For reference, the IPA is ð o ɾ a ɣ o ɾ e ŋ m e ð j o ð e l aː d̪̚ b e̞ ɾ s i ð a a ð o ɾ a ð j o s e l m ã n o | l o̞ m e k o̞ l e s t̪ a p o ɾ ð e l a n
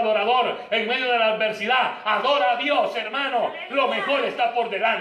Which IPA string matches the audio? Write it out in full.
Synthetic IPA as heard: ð o ɾ a ð o ɾ e ŋ m e ð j o ð e l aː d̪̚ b e̞ ɾ s i ð a a ð o ɾ a ð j o s e ɾ m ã n o | l o̞ m e x o̞ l e s t̪ a p o ɾ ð e l a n